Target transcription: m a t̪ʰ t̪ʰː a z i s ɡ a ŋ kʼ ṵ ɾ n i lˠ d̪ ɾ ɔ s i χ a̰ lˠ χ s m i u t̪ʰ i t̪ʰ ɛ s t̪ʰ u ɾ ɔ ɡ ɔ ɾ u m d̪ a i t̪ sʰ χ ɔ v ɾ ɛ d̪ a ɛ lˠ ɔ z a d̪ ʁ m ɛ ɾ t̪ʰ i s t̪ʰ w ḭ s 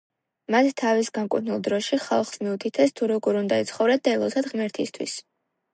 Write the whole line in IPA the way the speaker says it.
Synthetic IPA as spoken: m a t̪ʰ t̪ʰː a v i s ɡ a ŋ kʼ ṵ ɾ n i lˠ d̪ ɾ ɔ ʃ i χ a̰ lˠ χ s m i u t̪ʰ i t̪ʰ ɛ s t̪ʰ u ɾ ɔ ɡ ɔ ɾ u n d̪ a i t̪ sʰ χ ɔ v ɾ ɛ d̪ a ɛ lˠ ɔ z a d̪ ʁ m ɛ ɾ t̪ʰ i s t̪ʰ w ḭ s